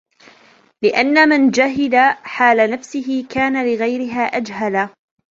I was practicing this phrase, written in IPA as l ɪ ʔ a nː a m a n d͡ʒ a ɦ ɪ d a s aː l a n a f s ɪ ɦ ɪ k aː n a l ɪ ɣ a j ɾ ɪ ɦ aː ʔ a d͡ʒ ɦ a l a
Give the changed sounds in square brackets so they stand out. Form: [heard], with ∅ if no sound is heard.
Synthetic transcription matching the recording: l ɪ ʔ a nː a m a n d͡ʒ a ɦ ɪ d a [ħ] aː l a n a f s ɪ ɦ ɪ k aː n a l ɪ ɣ a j ɾ ɪ ɦ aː ʔ a d͡ʒ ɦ a l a

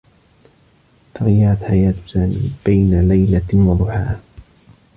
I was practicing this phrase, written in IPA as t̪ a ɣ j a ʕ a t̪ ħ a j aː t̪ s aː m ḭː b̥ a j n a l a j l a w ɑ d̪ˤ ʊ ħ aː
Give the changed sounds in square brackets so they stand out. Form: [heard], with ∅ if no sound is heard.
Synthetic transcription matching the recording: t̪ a ɣ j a ʕ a t̪ ħ a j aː t̪ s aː m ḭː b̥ a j n a l a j l a w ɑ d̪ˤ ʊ ħ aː

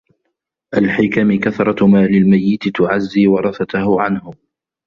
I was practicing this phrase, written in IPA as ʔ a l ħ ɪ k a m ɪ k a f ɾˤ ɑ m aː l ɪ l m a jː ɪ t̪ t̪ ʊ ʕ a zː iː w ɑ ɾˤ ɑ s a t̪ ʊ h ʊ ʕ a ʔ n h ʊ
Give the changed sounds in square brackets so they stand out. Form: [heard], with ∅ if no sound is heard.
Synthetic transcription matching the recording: ʔ a l ħ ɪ k a m ɪ k a [θ] ɾˤ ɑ m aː l ɪ l m a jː ɪ t̪ t̪ ʊ ʕ a zː iː w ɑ ɾˤ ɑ [θ] a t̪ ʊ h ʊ ʕ a [∅] n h ʊ

